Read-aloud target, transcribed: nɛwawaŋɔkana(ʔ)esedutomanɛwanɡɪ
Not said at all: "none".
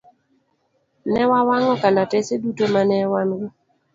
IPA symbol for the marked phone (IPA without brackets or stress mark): t